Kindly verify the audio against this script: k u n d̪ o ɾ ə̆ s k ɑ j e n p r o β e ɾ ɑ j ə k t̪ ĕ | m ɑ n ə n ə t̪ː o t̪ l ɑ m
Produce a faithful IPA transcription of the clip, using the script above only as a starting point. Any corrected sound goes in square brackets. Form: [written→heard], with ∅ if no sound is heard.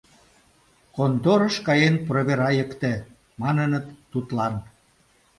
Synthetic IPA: k [u→o] n d̪ o ɾ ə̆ [s→ʃ] k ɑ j e n p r o β e ɾ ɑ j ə k t̪ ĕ | m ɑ n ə n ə t̪ː [o→u] t̪ l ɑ [m→n]